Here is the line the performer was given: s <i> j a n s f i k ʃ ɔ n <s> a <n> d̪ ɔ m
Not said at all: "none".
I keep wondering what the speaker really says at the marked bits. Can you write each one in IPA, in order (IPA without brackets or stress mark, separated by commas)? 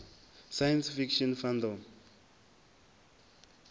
a, f, n